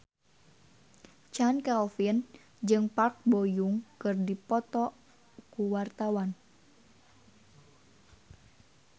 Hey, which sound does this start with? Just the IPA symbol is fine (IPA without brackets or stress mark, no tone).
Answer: t͡ʃ